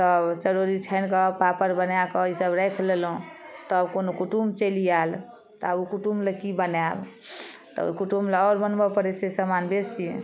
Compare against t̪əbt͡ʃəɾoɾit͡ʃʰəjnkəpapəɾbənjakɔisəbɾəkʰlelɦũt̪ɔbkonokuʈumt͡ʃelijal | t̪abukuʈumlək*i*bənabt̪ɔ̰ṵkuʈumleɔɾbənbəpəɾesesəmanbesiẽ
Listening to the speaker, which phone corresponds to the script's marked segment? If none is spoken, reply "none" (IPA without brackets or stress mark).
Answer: i